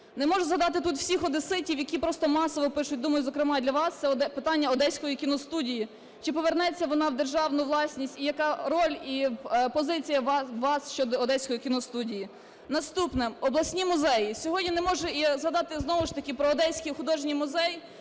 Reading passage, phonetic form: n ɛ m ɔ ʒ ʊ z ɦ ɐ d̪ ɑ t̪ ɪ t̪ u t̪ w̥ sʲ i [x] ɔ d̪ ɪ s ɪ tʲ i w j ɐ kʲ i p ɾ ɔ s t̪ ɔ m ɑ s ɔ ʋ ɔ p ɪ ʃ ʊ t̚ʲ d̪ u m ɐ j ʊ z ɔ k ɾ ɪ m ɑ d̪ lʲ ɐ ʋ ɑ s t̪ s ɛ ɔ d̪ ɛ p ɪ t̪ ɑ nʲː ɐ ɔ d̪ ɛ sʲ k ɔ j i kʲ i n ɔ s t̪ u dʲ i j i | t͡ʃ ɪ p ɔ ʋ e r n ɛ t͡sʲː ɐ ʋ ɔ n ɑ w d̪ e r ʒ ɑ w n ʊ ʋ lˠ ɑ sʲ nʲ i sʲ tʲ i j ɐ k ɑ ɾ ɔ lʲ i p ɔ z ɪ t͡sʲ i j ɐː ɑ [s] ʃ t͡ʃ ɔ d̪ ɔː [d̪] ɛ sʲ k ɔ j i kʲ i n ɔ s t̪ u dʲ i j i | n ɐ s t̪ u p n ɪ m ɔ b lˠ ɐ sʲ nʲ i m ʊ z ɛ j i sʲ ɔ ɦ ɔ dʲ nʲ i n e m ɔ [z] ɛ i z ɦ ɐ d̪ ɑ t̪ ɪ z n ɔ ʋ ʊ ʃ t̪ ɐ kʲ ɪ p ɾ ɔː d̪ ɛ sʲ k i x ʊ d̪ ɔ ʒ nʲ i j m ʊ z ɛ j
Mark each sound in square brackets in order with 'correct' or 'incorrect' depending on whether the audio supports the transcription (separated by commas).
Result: correct, correct, correct, incorrect